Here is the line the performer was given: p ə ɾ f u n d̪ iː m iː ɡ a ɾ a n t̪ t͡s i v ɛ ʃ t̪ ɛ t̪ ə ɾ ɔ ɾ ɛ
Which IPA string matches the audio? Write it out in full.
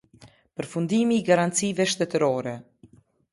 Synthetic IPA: p ə ɾ f u n d̪ i m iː ɡ a ɾ a n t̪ t͡s i v ɛ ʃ t̪ ɛ t̪ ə ɾ ɔ ɾ ɛ